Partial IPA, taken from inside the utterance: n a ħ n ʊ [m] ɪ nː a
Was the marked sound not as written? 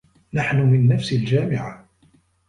no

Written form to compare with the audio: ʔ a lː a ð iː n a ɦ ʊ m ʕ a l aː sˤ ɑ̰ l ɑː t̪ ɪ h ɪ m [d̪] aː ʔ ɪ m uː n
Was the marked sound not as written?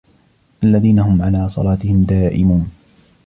no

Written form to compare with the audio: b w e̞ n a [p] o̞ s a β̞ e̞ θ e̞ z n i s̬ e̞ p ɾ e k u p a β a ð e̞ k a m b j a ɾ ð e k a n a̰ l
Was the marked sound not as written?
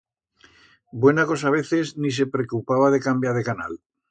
yes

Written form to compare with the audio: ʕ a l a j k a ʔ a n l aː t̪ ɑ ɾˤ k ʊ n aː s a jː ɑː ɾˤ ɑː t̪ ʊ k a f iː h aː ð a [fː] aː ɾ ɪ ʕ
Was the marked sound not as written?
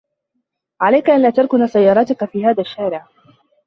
yes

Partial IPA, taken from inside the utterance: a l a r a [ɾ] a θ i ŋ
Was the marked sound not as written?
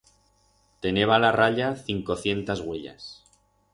yes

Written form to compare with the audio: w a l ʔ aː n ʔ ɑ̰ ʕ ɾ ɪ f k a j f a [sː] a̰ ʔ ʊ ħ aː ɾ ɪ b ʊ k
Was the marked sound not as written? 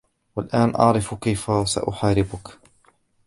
yes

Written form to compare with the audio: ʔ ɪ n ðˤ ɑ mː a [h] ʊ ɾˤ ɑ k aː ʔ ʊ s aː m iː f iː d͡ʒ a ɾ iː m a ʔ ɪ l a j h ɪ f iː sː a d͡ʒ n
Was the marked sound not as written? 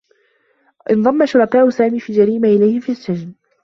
yes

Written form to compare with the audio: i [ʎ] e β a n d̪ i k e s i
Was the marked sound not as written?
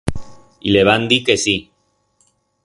yes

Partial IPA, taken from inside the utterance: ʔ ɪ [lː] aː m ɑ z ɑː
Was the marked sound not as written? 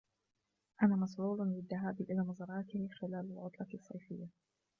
yes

